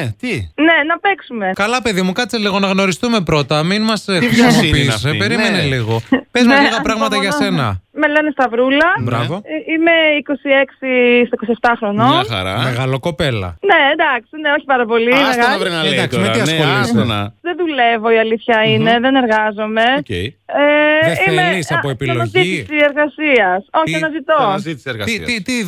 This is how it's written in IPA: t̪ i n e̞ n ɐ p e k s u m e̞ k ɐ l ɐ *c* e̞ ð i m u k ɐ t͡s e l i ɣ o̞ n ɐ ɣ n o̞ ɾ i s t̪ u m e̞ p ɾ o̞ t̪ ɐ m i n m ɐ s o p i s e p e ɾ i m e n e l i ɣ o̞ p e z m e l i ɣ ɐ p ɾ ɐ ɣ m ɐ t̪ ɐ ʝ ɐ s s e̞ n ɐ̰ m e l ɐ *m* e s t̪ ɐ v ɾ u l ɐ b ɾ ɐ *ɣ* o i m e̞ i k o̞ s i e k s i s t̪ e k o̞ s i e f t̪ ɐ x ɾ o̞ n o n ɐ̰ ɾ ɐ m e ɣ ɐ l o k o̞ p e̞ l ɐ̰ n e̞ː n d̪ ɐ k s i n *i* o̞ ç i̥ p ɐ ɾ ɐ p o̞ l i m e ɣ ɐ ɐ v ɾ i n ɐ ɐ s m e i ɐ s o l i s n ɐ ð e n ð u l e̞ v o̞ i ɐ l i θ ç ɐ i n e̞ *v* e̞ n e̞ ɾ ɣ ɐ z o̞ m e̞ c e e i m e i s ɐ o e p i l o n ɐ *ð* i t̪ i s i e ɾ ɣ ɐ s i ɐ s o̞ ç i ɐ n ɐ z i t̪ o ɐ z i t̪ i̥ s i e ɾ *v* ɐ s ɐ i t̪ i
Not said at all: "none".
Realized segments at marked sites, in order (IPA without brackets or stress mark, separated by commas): p, n, v, e, ð, z, ɣ